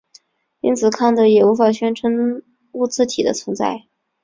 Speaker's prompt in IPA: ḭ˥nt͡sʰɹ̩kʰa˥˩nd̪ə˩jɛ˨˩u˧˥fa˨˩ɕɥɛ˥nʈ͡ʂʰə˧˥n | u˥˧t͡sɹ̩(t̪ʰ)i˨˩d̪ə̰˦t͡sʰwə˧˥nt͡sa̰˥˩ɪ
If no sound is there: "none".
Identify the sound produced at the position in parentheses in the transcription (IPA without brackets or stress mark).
t̪ʰ